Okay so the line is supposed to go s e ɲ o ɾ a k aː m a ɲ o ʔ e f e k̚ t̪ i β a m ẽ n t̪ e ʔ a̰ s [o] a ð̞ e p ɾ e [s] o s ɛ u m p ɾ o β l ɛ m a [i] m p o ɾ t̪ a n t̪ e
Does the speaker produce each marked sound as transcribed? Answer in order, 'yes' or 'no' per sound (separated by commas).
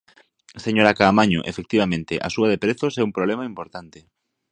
no, no, yes